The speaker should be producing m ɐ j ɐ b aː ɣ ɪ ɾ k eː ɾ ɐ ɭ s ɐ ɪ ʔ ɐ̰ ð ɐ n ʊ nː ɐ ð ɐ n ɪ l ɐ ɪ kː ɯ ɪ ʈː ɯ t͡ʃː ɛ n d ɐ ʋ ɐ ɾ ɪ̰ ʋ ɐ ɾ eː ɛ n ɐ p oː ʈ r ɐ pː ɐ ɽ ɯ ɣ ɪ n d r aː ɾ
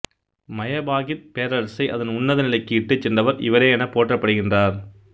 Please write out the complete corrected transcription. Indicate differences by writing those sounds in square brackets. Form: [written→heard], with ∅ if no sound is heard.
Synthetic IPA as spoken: m ɐ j ɐ b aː ɣ ɪ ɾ [k→p] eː ɾ ɐ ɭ s ɐ ɪ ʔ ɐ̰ ð ɐ n ʊ nː ɐ ð ɐ n ɪ l ɐ ɪ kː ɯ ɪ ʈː ɯ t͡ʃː ɛ n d ɐ ʋ ɐ ɾ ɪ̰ ʋ ɐ ɾ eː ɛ n ɐ p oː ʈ r ɐ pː ɐ ɽ ɯ ɣ ɪ n d r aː ɾ